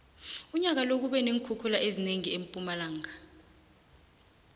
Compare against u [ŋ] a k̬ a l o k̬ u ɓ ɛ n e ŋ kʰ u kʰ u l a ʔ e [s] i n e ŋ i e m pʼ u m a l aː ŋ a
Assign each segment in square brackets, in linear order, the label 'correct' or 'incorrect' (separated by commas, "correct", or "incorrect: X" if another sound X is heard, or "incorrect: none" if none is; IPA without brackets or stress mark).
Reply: incorrect: ɲ, incorrect: z